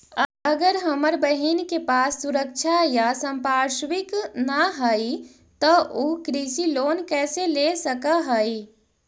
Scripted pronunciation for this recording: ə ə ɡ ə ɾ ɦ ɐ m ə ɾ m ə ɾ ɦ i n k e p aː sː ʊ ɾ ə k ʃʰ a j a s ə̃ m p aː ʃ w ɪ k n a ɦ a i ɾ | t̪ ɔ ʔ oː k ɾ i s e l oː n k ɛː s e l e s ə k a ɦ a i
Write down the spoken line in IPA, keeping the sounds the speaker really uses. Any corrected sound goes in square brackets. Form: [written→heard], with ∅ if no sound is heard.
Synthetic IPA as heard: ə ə ɡ ə ɾ ɦ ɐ m ə ɾ [m→b] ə [ɾ→∅] ɦ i n k e p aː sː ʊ ɾ ə k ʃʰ a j a s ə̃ m p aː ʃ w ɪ k n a ɦ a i [ɾ→∅] | t̪ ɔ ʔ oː k ɾ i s [e→i] l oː n k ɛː s e l e s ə k a ɦ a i